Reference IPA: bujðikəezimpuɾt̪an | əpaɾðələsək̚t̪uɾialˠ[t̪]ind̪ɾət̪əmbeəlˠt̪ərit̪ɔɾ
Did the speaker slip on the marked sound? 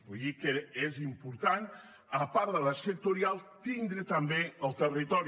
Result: no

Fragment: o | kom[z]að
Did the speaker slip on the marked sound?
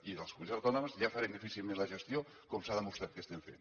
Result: yes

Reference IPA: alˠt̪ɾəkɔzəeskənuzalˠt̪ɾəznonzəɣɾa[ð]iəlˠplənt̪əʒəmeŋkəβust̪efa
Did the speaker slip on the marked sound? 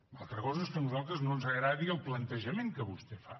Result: no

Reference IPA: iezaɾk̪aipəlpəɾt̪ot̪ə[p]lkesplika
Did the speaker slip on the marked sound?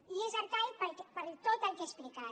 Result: yes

